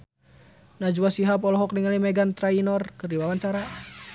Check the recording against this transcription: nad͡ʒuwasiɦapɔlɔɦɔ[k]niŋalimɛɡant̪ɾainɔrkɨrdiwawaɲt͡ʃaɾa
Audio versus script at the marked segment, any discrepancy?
no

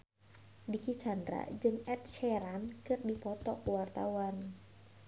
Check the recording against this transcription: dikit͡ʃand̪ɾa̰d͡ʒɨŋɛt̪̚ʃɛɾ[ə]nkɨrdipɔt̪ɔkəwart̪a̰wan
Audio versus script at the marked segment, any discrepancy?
yes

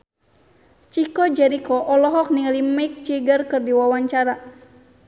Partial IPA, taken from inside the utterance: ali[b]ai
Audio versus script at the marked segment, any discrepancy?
yes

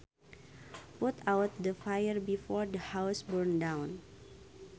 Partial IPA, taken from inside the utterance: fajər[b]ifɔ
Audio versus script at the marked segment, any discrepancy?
no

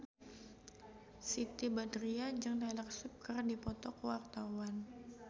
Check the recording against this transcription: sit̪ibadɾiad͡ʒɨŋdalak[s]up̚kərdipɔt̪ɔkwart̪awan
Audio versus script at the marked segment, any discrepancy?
no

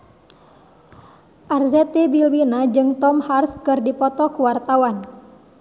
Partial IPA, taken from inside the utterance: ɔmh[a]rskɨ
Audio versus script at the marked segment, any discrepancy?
no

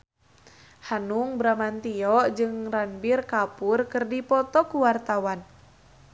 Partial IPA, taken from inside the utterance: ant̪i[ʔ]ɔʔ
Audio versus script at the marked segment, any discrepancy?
yes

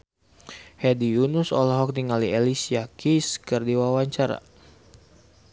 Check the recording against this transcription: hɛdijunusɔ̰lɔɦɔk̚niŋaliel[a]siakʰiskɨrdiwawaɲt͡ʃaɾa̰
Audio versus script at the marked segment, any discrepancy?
yes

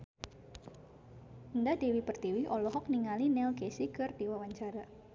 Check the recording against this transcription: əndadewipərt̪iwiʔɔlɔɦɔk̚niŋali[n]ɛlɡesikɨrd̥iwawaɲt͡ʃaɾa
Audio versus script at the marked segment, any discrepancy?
no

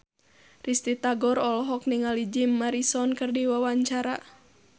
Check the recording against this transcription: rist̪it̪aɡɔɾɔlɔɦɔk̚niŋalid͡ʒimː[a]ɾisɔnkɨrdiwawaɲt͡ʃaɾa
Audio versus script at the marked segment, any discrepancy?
no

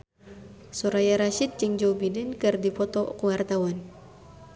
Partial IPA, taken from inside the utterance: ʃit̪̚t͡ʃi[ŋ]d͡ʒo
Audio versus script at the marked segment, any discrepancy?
no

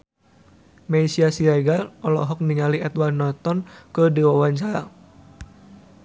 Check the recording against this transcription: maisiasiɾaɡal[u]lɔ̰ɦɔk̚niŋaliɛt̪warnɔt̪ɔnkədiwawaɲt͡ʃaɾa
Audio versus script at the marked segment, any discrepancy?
yes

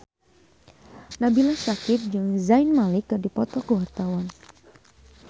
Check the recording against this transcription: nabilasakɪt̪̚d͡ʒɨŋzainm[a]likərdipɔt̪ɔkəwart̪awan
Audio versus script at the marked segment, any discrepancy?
no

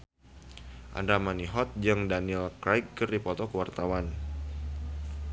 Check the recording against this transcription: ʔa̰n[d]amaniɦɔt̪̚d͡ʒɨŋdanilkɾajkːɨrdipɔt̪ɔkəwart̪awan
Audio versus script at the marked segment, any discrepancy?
no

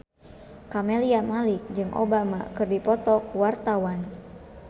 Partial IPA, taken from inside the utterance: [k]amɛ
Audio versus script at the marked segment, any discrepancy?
no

